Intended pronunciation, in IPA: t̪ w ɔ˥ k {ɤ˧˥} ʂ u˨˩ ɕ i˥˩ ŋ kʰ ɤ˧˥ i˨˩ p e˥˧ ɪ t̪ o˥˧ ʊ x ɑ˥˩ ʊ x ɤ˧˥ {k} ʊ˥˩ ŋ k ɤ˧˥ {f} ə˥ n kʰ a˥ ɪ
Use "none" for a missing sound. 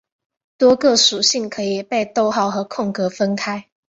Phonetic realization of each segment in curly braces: ɤ˥˩, kʰ, f

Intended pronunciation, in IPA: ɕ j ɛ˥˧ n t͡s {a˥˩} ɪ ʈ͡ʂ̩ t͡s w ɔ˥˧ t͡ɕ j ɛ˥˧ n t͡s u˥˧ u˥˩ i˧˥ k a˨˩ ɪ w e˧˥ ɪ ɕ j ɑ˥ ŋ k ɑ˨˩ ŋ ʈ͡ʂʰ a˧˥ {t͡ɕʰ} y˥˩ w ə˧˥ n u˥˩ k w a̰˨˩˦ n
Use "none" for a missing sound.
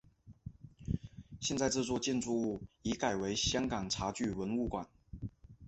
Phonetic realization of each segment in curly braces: a˥˧, t͡ɕ

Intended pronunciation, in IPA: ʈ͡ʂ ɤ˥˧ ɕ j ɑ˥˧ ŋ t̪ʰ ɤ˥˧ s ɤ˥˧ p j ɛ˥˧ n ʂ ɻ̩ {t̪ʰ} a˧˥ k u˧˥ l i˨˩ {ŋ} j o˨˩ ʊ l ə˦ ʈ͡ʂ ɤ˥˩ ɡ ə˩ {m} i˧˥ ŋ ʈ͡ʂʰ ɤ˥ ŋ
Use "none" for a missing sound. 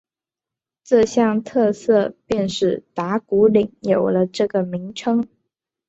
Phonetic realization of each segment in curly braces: t̪, ŋ, m

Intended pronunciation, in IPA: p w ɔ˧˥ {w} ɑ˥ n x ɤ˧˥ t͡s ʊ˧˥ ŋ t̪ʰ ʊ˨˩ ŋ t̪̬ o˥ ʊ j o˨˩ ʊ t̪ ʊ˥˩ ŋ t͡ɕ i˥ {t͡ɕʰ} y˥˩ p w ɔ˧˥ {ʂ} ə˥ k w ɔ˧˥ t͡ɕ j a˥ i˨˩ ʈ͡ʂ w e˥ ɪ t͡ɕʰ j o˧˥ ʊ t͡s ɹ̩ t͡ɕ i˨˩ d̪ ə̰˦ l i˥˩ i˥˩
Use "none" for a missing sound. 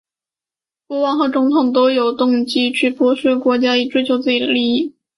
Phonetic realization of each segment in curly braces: w, t͡ɕʰ, ʂ

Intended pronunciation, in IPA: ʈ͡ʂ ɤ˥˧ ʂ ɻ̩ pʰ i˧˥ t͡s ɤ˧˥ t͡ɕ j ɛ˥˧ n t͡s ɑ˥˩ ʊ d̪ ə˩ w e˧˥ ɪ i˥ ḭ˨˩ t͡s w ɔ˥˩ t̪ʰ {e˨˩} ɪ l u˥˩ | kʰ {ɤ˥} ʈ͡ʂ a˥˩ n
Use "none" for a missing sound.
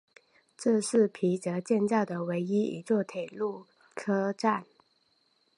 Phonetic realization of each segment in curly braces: e˨˩, ɤ˥

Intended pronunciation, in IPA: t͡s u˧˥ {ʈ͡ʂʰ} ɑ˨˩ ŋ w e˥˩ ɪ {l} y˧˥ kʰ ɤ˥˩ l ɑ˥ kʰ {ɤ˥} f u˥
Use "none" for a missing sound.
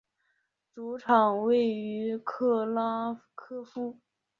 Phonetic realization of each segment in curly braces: ʈ͡ʂʰ, none, ɤ˥

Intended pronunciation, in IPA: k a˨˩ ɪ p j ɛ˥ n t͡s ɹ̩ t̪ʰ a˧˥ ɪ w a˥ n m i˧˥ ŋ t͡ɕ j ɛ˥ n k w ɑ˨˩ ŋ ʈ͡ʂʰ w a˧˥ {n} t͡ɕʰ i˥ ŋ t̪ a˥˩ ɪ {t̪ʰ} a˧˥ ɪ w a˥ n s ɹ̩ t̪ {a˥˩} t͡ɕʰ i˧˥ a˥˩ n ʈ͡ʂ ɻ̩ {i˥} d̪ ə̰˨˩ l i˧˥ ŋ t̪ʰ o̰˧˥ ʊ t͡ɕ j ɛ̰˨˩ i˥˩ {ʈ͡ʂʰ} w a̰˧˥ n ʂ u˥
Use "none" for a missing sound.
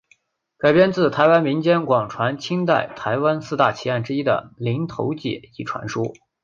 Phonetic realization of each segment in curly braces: n, t̪ʰ, a˥˩, i˥, ʈ͡ʂʰ

